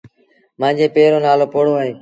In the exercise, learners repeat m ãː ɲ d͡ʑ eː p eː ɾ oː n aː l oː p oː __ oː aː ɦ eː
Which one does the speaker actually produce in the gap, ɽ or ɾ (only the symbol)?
ɽ